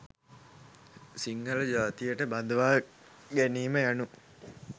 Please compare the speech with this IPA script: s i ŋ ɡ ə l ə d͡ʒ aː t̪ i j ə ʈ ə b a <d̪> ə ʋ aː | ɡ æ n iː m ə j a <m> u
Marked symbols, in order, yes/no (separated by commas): yes, no